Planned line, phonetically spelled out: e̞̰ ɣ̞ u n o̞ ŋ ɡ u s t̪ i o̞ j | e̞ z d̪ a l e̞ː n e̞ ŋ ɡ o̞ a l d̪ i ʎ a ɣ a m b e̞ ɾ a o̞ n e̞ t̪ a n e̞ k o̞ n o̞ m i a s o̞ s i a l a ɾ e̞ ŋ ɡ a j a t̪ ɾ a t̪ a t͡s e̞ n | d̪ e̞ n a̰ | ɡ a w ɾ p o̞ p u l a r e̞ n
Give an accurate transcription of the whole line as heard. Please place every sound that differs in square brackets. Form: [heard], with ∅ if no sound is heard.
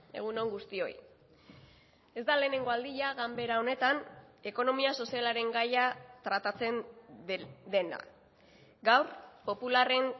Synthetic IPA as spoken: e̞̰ ɣ̞ u n o̞ ŋ ɡ u s t̪ i o̞ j | e̞ z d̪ a l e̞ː n e̞ ŋ ɡ o̞ a l d̪ i ʎ a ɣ a m b e̞ ɾ a o̞ n e̞ t̪ a n e̞ k o̞ n o̞ m i a s o̞ s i a l a ɾ e̞ ŋ ɡ a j a t̪ ɾ a t̪ a t͡s e̞ n | d̪ e̞ n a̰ | ɡ a w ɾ p o̞ p u l a r e̞ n